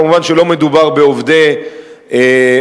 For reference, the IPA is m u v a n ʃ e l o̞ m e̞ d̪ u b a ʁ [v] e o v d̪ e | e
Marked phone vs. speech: incorrect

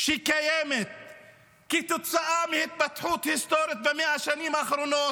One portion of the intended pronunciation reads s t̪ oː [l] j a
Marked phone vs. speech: incorrect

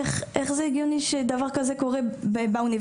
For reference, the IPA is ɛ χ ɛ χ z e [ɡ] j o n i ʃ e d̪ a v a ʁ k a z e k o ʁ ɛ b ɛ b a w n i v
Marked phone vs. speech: correct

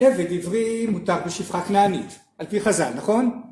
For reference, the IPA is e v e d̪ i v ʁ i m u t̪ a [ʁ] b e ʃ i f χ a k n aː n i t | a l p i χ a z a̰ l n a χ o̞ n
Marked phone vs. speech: correct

